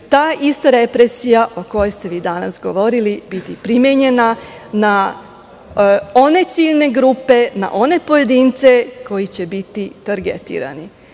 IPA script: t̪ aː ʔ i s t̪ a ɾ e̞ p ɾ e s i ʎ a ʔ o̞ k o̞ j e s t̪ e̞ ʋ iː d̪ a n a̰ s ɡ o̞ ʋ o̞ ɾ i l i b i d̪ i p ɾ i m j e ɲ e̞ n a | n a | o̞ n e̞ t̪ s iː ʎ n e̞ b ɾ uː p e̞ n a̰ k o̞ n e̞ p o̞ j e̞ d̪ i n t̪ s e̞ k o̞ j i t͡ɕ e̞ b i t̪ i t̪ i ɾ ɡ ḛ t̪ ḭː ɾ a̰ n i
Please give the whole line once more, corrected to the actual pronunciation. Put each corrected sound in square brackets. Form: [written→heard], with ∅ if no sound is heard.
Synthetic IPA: t̪ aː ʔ i s t̪ a ɾ e̞ p ɾ e s i [ʎ→j] a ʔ o̞ k o̞ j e s t̪ e̞ ʋ iː d̪ a n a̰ s ɡ o̞ ʋ o̞ ɾ i l i b i [d̪→t̪] i p ɾ i m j e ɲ e̞ n a | n a | o̞ n e̞ t̪ s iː ʎ n e̞ [b→ɡ] ɾ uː p e̞ n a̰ [k→ʔ] o̞ n e̞ p o̞ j e̞ d̪ i n t̪ s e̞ k o̞ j i t͡ɕ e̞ b i t̪ i t̪ [i→a] ɾ ɡ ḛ t̪ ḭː ɾ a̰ n i